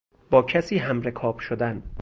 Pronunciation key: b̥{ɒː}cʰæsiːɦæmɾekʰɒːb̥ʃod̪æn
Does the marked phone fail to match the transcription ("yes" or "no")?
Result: no